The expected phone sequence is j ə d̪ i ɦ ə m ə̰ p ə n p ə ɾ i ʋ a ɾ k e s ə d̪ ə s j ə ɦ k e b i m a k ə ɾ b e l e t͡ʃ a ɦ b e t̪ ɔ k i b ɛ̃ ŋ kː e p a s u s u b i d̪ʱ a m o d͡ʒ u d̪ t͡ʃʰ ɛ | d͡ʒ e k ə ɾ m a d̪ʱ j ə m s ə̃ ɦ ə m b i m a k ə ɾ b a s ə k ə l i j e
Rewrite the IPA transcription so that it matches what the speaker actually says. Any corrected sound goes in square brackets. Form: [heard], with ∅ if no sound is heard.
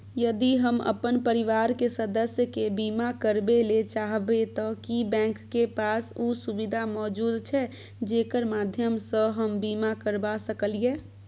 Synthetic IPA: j ə d̪ i ɦ ə m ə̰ p ə n p ə ɾ i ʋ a ɾ k e s ə d̪ ə s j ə [∅] k e b i m a k ə ɾ b e l e t͡ʃ a ɦ b e t̪ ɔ k i b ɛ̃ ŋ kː e p a s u s u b i d̪ʱ a m [ɔ] d͡ʒ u d̪ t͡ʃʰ ɛ | d͡ʒ e k ə ɾ m a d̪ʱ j ə m s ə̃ ɦ ə m b i m a k ə ɾ b a s ə k ə l i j e